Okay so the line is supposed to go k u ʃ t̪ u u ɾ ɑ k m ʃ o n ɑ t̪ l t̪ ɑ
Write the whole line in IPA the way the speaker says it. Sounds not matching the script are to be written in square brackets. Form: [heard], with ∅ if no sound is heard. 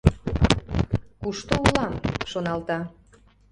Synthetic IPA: k u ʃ t̪ [o] u [l] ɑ [∅] m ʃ o n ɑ [∅] l t̪ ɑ